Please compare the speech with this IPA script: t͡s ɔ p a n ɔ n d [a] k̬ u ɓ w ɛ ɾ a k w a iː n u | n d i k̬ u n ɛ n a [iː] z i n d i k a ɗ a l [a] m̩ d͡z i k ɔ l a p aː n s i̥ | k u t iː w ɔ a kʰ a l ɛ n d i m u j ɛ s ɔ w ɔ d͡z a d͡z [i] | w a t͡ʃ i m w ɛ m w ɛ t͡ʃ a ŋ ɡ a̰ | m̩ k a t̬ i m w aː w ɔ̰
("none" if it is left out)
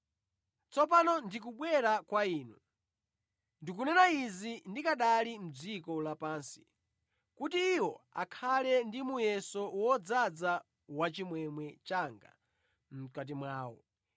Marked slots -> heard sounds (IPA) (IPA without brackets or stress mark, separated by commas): i, i, i, a